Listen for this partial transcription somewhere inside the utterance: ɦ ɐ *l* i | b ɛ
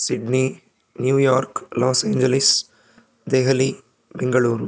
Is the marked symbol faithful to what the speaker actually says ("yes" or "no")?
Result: yes